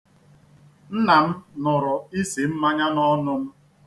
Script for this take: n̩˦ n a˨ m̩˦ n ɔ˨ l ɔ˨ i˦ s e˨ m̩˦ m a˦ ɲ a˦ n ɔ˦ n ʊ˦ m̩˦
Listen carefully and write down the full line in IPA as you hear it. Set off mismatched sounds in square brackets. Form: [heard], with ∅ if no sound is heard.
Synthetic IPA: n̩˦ n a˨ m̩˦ n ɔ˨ [ɾ] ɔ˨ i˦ s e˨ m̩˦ m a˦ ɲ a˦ n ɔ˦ n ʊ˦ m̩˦